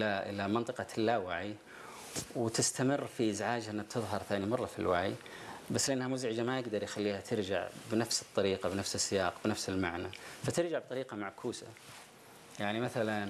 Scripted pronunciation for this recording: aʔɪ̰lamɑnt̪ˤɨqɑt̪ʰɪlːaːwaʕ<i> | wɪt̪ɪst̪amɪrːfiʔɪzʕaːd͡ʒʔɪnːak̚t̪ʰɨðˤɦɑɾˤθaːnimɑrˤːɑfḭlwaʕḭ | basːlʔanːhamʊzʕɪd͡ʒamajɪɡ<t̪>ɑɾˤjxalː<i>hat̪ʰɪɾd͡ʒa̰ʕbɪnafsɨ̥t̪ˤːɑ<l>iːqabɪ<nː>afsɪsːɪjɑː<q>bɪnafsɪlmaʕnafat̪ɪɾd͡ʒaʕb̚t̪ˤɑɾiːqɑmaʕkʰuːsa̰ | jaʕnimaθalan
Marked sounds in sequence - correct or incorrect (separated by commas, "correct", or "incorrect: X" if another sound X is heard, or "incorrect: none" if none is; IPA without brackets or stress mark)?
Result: correct, incorrect: d̪, incorrect: iː, incorrect: ɾ, incorrect: n, correct